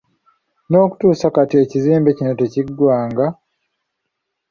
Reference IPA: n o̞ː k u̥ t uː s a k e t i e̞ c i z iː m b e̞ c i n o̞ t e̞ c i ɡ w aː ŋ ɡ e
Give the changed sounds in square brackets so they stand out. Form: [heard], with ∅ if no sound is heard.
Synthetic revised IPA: n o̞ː k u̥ t uː s a k [a] t i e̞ c i z iː m b e̞ c i n o̞ t e̞ c i ɡ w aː ŋ ɡ [a]